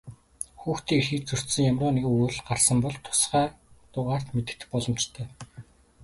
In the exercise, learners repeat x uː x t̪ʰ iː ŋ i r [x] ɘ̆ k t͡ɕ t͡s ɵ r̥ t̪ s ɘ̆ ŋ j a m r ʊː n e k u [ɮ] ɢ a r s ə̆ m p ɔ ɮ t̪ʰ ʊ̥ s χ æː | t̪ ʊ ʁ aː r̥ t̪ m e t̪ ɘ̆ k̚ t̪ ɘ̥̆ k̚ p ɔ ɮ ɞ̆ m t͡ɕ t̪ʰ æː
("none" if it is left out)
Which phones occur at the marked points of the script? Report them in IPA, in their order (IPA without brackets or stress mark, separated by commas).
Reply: x, ɮ